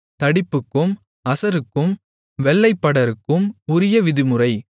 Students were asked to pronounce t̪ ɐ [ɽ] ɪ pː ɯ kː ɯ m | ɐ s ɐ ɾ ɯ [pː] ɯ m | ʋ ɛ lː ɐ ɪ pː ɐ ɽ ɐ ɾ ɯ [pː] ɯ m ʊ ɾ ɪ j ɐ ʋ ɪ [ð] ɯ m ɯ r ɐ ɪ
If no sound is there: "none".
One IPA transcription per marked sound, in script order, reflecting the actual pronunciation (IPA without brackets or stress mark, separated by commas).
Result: ɽ, kː, kː, ð